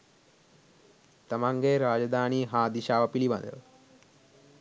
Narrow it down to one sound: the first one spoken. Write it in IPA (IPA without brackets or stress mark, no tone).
t̪